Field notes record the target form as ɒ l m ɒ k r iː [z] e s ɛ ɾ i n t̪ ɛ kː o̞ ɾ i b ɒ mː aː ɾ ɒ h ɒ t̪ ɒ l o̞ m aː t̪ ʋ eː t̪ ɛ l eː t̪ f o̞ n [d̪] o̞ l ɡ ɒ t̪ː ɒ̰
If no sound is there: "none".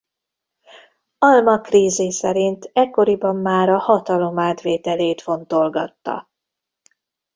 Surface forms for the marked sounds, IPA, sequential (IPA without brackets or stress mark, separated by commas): z, t̪